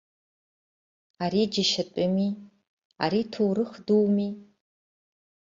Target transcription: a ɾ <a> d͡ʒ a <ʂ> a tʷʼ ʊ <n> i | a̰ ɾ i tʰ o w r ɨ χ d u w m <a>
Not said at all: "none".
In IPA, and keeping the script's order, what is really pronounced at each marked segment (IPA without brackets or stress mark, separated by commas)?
i, ʃ, m, i